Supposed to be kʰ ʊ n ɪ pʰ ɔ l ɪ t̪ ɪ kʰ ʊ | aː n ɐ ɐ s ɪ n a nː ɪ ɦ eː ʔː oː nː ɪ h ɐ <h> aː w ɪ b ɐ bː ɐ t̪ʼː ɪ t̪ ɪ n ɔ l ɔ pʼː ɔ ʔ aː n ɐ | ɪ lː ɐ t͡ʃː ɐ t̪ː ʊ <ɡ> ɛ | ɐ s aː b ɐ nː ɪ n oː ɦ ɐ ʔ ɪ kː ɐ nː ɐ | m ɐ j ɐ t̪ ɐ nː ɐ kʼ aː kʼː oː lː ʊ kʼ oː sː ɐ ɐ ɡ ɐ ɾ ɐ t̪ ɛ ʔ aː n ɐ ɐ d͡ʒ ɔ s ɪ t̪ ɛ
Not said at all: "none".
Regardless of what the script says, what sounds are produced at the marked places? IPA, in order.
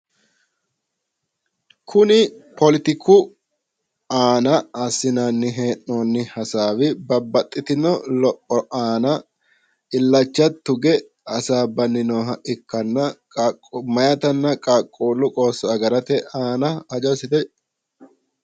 s, ɡ

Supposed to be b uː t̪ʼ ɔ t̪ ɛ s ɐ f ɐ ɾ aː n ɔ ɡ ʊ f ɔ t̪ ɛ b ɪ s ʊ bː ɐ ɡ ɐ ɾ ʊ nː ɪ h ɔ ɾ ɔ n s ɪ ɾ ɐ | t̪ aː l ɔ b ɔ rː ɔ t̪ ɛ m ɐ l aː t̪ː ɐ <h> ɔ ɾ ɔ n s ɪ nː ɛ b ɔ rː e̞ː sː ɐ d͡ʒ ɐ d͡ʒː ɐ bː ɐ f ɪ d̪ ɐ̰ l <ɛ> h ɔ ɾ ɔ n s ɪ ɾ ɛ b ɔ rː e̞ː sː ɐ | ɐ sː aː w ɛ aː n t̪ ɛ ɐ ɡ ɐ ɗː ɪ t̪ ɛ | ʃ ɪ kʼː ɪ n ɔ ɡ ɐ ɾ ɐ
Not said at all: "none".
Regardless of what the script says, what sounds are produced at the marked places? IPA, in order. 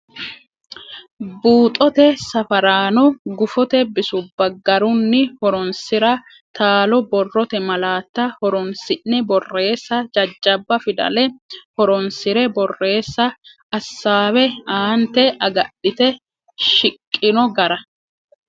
h, ɛ

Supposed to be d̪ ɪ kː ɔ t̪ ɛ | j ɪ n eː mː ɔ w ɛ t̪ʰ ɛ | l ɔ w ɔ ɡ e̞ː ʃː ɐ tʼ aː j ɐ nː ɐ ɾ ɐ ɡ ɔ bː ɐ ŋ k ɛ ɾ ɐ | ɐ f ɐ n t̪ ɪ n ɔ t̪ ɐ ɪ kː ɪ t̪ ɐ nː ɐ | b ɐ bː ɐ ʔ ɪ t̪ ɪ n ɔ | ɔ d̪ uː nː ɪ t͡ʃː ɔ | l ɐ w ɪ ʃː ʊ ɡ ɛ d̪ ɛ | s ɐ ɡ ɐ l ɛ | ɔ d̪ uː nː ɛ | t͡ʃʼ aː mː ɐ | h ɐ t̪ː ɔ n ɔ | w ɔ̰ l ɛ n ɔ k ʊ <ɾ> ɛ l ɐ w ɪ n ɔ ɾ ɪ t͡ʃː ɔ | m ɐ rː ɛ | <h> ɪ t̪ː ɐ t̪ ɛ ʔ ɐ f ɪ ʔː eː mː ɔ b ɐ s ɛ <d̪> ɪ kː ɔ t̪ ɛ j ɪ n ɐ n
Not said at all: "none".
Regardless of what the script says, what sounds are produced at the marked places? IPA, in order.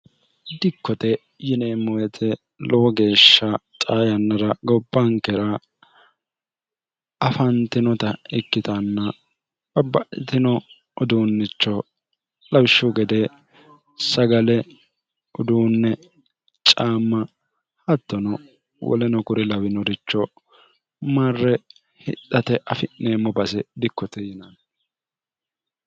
ɾ, h, d̪

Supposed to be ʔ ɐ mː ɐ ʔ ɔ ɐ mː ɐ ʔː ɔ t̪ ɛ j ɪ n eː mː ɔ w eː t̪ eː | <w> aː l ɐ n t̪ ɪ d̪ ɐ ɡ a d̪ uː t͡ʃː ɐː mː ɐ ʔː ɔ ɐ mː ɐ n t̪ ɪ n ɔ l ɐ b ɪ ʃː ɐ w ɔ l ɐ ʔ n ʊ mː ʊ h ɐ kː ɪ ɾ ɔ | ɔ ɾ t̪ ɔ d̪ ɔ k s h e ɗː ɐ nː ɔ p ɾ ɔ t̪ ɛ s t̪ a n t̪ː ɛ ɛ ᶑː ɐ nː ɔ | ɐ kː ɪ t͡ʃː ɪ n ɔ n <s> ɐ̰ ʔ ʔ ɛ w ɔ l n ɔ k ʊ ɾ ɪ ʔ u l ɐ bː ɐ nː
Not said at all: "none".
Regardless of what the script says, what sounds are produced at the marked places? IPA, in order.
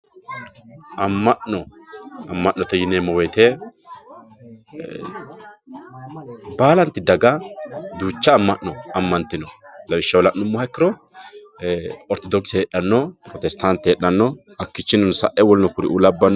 b, s

